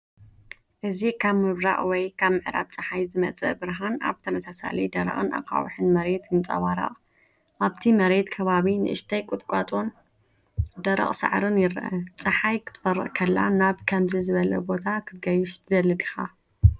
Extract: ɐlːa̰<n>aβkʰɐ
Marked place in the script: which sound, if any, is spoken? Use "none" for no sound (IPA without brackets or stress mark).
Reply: n